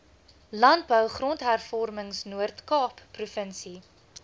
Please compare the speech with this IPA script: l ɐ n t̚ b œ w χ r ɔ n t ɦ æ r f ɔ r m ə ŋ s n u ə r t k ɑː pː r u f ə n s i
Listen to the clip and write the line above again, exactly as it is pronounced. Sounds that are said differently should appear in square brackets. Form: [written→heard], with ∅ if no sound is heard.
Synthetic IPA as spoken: l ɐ n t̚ b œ w χ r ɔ n t ɦ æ r f ɔ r m ə ŋ s n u ə r t k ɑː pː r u f ə n s i